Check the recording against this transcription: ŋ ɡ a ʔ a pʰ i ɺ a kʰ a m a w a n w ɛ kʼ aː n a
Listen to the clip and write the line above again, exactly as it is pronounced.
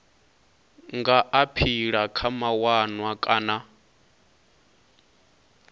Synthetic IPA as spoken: ŋ ɡ a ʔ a pʰ i ɺ a kʰ a m a w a n w a kʼ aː n a